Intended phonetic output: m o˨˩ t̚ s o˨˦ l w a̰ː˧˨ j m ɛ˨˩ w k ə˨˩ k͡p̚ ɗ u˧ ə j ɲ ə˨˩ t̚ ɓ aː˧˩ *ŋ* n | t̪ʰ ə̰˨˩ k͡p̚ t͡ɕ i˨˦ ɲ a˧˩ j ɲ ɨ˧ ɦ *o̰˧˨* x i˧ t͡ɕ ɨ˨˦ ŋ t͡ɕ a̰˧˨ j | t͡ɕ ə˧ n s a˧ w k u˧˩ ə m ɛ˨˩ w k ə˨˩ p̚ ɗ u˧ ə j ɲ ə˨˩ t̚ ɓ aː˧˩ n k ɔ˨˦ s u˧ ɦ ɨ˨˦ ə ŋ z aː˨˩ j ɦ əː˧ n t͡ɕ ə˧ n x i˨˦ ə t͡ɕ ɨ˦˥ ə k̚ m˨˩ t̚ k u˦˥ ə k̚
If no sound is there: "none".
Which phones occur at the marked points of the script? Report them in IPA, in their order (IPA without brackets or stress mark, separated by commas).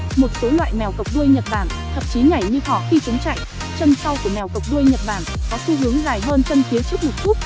none, ɔ̰˧˨